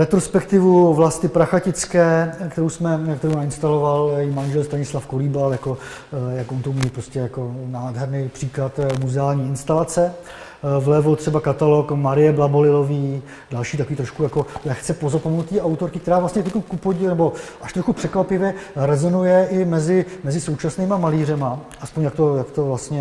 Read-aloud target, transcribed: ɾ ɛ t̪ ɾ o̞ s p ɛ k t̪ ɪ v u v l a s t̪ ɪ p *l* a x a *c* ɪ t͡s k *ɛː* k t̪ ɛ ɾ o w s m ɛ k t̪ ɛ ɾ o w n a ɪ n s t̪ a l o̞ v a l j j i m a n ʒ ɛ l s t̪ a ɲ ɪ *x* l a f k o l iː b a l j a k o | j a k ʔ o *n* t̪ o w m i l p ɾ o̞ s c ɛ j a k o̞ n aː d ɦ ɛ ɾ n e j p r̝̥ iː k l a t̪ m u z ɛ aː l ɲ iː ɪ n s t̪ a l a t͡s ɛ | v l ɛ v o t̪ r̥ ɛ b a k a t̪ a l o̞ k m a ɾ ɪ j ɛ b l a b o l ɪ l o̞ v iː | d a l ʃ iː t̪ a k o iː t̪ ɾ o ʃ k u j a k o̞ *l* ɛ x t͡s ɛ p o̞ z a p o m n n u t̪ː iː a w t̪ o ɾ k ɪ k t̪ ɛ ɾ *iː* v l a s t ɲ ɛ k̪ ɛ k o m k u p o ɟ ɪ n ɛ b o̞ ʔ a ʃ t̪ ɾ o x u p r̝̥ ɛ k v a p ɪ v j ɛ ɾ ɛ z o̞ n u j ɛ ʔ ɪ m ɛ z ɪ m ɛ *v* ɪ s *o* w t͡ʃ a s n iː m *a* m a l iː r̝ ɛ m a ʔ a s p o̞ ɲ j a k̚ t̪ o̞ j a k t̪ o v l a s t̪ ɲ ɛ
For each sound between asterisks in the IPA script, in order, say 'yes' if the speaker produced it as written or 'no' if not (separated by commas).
no, yes, yes, no, yes, yes, no, no, yes, yes